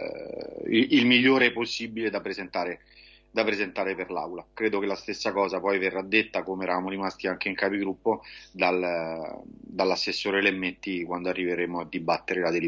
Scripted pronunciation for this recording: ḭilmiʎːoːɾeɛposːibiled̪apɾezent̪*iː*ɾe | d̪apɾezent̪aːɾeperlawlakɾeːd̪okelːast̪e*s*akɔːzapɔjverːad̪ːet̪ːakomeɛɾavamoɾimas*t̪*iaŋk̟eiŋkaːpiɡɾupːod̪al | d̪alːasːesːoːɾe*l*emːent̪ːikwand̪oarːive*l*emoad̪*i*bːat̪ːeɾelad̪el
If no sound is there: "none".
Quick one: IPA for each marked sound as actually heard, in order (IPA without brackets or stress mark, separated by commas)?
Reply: aː, sː, t̪, l, ɾ, i